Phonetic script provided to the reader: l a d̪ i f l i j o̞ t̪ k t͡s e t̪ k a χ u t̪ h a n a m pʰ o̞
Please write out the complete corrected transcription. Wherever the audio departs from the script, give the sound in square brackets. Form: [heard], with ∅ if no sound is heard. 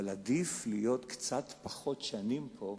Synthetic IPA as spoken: l a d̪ i f l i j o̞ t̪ k t͡s [a] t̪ [p] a χ [o] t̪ [ʃ] a n [i] m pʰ o̞